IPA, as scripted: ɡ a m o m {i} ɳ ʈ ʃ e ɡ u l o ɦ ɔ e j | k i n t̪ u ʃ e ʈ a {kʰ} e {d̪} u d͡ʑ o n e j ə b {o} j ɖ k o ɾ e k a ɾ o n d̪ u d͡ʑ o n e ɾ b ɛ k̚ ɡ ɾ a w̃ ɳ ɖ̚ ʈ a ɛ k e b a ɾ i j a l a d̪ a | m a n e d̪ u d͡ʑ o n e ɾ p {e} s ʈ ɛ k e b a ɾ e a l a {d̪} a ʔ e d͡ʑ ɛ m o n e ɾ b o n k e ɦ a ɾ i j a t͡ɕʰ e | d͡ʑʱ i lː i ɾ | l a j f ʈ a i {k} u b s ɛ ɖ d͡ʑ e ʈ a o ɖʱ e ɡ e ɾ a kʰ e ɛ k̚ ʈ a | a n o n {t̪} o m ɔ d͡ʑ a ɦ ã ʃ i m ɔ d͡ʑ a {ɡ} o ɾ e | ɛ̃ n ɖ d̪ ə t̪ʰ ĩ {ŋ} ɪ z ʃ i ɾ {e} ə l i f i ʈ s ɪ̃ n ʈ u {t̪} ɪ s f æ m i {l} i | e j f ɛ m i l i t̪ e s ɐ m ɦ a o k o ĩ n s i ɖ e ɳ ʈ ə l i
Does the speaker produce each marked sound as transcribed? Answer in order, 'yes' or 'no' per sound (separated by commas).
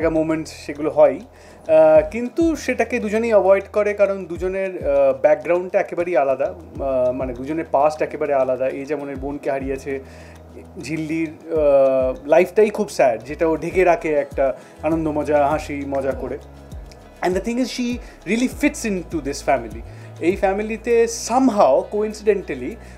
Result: no, no, yes, no, no, yes, no, no, no, yes, no, no, yes